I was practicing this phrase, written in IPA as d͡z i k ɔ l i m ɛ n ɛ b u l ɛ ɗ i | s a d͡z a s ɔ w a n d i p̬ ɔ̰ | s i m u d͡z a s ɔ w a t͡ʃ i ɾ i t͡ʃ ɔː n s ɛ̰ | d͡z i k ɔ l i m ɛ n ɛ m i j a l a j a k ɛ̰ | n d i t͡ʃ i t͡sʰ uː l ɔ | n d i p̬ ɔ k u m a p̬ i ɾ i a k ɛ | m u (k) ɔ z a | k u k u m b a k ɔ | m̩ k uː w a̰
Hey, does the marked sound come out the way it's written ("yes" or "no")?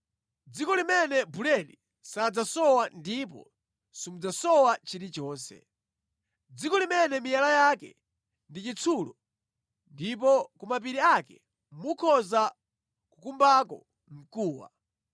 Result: no